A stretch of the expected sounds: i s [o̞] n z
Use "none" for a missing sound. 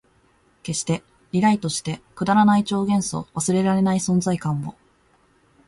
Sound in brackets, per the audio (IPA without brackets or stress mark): õ̞